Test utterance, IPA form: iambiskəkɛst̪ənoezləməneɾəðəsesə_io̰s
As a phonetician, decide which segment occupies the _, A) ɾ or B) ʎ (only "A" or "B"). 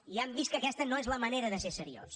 A